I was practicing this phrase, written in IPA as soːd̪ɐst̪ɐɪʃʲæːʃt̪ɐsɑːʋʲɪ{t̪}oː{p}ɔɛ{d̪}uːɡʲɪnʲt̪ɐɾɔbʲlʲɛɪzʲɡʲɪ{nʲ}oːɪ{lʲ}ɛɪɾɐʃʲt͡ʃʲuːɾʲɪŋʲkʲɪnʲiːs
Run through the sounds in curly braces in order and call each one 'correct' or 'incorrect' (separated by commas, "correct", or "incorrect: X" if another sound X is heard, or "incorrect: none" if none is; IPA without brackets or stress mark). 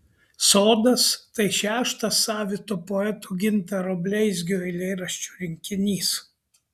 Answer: correct, correct, incorrect: t̪, incorrect: none, correct